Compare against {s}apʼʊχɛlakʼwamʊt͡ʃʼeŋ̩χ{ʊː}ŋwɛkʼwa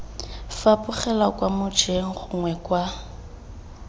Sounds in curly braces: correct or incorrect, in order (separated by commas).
incorrect, incorrect